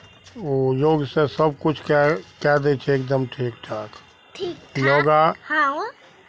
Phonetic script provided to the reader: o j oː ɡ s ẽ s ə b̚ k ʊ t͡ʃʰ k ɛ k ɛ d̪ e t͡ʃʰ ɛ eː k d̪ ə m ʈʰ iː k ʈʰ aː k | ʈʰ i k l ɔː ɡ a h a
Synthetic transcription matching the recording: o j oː ɡ s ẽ s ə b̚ k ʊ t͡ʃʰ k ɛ k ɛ d̪ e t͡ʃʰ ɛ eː k d̪ ə m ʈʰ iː k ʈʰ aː k | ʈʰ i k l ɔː ɡ a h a